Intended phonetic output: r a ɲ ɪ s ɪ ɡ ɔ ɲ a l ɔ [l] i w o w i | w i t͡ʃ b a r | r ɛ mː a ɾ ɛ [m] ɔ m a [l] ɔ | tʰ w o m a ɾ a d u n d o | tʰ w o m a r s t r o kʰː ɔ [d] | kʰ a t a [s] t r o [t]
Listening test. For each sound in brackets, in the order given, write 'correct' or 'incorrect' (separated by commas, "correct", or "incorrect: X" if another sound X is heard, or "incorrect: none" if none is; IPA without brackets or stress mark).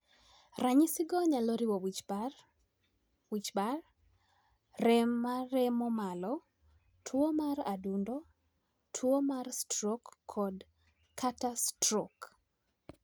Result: incorrect: ɾ, correct, correct, correct, correct, incorrect: k